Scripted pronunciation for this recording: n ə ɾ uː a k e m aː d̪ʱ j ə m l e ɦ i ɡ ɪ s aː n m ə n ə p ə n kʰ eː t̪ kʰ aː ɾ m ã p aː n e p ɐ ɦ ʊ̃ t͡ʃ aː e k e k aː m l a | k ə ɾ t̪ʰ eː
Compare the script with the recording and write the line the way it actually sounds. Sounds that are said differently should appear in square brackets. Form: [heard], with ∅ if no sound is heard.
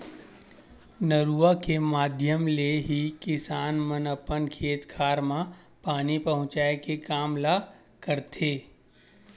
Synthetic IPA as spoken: n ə ɾ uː a k e m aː d̪ʱ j ə m l e ɦ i [k] ɪ s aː n m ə n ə p ə n kʰ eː t̪ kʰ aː ɾ m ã p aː n [i] p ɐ ɦ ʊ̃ t͡ʃ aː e k e k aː m l a | k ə ɾ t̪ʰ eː